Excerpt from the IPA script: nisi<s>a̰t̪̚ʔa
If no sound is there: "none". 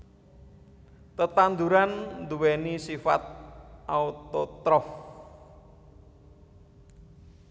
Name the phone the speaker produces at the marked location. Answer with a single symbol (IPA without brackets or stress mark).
f